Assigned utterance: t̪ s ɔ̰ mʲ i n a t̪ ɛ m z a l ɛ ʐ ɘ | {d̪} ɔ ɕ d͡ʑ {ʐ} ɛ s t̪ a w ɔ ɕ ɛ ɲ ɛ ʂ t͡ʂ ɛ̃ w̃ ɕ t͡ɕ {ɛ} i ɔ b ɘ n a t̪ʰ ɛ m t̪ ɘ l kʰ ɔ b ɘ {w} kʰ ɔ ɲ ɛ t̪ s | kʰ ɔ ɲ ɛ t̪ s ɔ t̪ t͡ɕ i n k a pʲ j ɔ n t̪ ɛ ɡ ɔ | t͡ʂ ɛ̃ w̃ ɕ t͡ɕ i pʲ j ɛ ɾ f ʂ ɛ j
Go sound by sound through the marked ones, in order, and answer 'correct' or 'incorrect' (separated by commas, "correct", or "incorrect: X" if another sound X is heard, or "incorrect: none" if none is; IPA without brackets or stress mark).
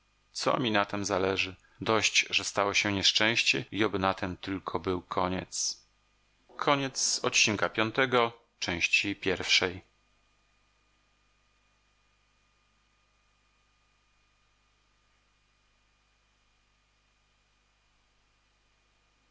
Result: correct, correct, correct, correct